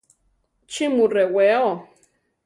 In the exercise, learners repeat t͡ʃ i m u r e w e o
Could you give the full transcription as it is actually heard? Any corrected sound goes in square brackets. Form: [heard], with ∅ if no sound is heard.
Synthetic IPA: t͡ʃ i m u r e w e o